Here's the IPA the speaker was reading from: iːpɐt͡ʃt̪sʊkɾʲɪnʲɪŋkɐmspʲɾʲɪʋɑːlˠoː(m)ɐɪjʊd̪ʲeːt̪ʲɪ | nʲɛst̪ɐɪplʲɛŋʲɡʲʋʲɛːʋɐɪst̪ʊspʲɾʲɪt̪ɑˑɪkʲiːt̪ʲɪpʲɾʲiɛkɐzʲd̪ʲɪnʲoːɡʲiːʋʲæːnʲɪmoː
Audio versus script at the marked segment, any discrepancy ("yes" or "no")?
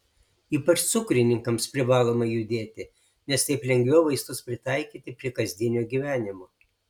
no